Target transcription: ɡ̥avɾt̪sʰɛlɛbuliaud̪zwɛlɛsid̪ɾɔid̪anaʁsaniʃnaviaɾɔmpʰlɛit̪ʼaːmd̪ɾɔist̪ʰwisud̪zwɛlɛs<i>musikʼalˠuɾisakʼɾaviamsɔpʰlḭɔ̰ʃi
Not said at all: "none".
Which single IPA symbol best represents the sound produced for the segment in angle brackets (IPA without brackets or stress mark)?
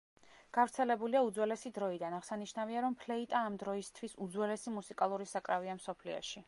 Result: i